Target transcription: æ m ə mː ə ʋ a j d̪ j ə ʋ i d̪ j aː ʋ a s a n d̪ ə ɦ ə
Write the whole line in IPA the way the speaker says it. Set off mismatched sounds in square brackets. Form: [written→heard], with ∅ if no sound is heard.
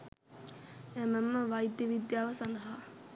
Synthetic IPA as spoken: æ m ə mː ə ʋ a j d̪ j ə ʋ i d̪ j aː ʋ [a→ə] s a n d̪ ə ɦ [ə→a]